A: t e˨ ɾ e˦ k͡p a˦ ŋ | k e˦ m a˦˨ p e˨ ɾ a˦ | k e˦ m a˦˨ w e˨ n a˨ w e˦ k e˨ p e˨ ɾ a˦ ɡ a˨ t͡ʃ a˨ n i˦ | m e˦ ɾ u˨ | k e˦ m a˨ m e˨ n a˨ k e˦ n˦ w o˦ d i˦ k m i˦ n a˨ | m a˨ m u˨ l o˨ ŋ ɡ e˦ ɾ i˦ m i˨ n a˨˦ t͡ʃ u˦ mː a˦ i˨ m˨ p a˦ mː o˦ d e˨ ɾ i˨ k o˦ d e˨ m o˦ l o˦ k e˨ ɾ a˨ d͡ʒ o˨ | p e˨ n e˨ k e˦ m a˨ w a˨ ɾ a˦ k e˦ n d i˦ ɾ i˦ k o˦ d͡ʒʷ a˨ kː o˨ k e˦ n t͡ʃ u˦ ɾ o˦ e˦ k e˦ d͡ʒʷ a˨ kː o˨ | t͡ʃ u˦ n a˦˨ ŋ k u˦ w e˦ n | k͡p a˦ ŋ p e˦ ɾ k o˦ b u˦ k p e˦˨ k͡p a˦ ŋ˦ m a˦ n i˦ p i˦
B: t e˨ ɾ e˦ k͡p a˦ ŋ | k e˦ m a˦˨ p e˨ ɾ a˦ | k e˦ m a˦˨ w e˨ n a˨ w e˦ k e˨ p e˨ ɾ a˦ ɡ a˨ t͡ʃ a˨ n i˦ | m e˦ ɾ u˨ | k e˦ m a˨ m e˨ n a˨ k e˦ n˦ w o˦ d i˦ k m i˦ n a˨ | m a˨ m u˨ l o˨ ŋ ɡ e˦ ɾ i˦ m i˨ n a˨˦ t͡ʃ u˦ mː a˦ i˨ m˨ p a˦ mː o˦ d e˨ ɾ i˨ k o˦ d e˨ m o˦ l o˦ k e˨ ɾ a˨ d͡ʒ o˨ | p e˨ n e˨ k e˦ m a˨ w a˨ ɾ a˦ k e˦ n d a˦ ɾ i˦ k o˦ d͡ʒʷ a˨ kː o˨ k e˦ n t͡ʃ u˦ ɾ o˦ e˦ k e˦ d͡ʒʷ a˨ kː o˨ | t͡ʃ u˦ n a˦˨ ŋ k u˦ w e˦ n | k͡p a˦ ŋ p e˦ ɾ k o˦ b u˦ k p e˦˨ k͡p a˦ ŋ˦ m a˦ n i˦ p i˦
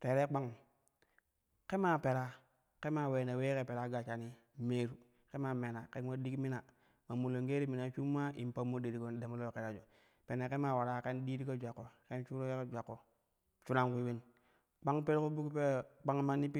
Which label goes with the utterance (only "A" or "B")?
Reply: A